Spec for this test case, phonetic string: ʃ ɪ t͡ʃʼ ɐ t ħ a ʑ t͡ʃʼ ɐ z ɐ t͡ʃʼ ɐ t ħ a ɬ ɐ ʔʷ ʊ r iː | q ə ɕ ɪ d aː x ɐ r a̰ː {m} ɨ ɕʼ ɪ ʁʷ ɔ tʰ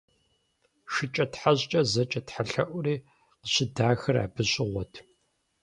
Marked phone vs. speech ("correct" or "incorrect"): incorrect